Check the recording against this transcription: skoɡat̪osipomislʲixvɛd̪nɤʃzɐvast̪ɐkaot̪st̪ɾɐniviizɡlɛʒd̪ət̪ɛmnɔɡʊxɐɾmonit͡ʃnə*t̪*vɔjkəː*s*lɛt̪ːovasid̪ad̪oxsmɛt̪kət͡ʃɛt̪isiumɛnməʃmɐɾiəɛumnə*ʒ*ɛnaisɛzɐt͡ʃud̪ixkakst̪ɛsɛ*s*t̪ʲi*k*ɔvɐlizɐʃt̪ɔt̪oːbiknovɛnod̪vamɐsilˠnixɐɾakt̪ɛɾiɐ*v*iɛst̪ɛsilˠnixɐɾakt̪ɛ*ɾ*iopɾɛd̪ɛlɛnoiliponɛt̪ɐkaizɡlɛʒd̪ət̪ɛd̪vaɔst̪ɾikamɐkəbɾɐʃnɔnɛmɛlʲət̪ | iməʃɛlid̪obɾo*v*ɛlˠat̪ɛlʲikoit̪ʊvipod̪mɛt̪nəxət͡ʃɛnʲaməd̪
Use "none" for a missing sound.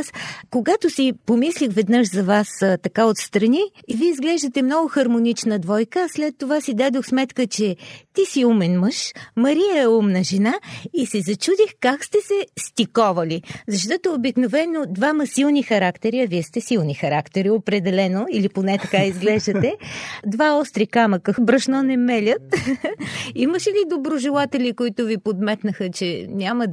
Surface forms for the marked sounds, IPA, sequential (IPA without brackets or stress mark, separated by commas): d̪, s, ʒ, s, k, v, ɾ, ʒ